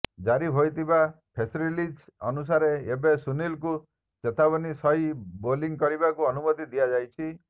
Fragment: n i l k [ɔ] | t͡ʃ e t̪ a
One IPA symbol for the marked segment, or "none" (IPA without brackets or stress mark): u